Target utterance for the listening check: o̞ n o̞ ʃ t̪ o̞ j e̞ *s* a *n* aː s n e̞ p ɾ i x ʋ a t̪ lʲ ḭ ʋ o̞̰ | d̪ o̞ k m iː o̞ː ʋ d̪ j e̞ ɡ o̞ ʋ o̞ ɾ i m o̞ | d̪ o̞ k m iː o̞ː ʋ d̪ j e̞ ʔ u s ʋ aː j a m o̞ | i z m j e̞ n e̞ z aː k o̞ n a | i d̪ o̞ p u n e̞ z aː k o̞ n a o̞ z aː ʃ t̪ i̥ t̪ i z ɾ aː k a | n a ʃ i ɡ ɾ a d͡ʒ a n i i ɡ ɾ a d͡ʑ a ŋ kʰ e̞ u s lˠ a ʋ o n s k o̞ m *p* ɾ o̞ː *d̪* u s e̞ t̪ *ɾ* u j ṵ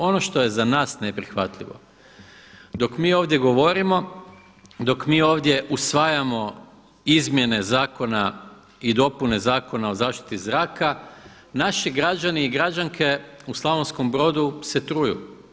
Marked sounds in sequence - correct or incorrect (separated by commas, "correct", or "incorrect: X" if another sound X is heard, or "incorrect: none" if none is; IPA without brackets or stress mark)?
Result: incorrect: z, correct, incorrect: b, correct, correct